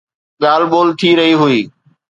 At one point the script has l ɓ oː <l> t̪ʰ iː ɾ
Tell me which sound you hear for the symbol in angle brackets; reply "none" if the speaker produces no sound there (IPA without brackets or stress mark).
l